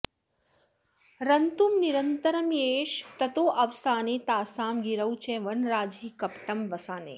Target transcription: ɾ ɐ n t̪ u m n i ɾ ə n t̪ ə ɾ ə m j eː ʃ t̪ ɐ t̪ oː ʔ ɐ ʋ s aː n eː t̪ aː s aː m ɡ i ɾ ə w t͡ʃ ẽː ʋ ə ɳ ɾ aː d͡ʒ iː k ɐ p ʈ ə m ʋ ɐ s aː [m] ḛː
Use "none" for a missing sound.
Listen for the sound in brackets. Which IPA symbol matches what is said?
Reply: n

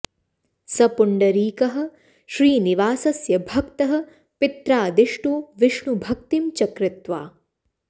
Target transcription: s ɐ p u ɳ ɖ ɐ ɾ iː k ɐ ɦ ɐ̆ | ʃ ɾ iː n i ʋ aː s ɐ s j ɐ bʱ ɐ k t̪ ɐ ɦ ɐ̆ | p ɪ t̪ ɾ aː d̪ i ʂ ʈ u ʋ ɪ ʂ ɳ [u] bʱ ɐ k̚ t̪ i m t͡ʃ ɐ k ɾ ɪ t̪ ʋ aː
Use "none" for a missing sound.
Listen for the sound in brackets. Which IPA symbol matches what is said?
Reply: u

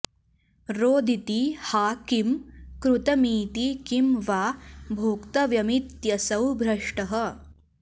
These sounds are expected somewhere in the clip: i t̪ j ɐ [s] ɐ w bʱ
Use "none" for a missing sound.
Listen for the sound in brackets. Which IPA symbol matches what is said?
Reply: s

